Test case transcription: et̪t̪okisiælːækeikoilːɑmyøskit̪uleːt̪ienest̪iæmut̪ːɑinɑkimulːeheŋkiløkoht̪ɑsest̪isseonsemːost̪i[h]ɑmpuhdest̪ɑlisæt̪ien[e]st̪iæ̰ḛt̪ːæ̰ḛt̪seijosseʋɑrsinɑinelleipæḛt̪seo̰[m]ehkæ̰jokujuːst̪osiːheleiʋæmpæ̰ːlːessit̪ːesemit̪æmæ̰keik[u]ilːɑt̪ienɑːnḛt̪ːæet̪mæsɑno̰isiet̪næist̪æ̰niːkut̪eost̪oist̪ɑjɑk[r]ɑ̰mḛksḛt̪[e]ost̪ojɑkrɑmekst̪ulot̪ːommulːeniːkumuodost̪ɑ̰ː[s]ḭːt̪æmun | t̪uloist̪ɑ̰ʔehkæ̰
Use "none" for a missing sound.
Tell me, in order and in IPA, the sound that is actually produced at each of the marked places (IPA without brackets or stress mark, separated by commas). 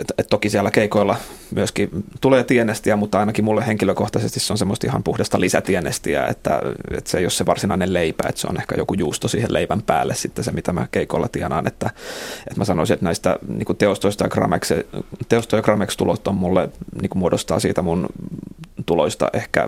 h, e, n, o, r, e, s